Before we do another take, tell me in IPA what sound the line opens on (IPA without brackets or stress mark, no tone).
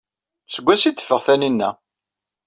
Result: s